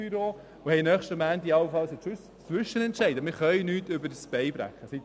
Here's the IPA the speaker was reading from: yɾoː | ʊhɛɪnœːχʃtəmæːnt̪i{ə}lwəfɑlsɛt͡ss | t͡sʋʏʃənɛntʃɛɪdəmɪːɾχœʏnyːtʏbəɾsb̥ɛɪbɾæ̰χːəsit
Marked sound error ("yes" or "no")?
yes